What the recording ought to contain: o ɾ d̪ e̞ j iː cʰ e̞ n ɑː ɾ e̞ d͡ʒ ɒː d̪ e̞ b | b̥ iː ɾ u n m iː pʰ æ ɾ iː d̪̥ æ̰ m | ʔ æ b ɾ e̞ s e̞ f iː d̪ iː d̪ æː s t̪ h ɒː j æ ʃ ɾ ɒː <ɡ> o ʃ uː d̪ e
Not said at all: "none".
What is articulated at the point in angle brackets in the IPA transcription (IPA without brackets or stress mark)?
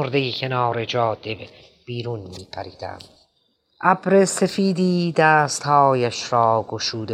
ɡ